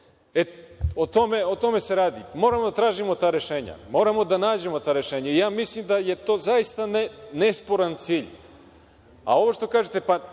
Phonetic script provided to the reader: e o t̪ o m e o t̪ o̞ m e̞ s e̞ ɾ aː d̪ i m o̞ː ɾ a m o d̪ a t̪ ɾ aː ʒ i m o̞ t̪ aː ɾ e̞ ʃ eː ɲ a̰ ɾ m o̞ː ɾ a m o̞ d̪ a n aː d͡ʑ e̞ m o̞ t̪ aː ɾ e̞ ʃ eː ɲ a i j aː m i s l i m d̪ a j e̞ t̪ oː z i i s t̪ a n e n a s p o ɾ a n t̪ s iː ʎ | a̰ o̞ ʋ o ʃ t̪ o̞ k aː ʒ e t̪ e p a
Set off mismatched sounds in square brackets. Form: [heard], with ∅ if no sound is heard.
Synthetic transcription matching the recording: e o t̪ o m e o t̪ o̞ m e̞ s e̞ ɾ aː d̪ i m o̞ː ɾ a m o d̪ a t̪ ɾ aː ʒ i m o̞ t̪ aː ɾ e̞ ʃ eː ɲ a̰ [∅] m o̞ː ɾ a m o̞ d̪ a n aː d͡ʑ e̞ m o̞ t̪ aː ɾ e̞ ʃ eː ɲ a i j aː m i s l i m d̪ a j e̞ t̪ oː z [a] i s t̪ a n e n [e] s p o ɾ a n t̪ s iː ʎ | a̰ o̞ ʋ o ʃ t̪ o̞ k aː ʒ e t̪ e p a